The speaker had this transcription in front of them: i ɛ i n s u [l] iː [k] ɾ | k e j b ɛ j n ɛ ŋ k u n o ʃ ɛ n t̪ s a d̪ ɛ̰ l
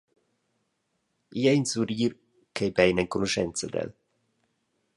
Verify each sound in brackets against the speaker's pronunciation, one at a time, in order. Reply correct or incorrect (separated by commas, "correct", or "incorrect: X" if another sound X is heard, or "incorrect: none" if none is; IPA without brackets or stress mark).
incorrect: ɾ, incorrect: none